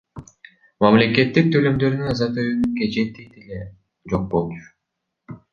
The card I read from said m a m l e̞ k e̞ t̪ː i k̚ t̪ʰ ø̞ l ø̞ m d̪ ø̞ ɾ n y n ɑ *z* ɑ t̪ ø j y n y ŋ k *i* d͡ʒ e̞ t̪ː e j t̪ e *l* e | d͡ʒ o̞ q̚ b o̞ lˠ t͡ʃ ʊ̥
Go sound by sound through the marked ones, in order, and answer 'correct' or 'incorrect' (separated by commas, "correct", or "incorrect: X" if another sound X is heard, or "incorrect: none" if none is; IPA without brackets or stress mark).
correct, incorrect: e, correct